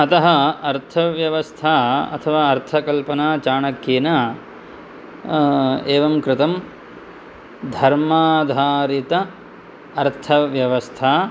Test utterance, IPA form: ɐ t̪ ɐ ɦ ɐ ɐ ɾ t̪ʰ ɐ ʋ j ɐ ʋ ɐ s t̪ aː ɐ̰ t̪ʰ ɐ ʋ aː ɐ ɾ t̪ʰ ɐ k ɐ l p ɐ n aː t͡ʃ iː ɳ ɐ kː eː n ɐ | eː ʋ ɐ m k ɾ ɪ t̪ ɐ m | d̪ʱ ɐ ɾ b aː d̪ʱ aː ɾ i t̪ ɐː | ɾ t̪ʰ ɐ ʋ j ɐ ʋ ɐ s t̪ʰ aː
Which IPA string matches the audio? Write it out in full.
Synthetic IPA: ɐ t̪ ɐ ɦ ɐ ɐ ɾ t̪ʰ ɐ ʋ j ɐ ʋ ɐ s t̪ʰ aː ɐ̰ t̪ʰ ɐ ʋ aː ɐ ɾ t̪ʰ ɐ k ɐ l p ɐ n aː t͡ʃ aː ɳ ɐ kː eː n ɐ | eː ʋ ɐ m k ɾ ɪ t̪ ɐ m | d̪ʱ ɐ ɾ m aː d̪ʱ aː ɾ i t̪ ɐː | ɾ t̪ʰ ɐ ʋ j ɐ ʋ ɐ s t̪ʰ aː